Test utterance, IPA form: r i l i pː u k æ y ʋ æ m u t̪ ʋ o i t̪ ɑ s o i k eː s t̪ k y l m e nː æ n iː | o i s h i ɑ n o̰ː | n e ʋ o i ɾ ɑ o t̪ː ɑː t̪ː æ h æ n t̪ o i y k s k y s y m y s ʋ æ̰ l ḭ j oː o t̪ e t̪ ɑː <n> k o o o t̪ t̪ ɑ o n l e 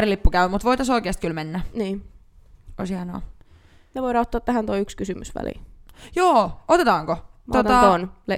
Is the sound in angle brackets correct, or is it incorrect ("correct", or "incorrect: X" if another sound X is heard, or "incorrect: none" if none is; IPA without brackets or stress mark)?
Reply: incorrect: ŋ